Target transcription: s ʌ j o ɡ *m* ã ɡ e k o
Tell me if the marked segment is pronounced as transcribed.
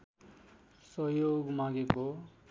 yes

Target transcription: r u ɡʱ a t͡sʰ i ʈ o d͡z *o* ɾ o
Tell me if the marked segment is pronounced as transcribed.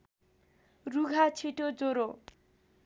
yes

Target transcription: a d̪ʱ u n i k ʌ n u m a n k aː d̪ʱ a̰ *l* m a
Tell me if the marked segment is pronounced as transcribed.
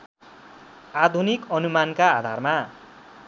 no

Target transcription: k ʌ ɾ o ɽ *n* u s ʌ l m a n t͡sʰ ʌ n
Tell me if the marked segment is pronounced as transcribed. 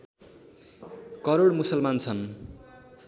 no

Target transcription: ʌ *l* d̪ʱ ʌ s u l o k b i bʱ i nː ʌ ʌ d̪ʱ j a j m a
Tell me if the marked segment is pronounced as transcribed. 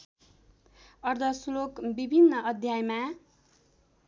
no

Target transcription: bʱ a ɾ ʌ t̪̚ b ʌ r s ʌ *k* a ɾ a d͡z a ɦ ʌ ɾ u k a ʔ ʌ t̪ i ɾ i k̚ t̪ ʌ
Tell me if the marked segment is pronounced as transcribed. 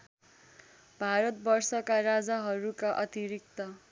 yes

